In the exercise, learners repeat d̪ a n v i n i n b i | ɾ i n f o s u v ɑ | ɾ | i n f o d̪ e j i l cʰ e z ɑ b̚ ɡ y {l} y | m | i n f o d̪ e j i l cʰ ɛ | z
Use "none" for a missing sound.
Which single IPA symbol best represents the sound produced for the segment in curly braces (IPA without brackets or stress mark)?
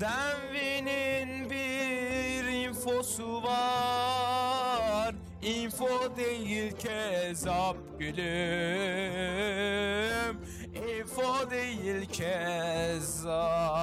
l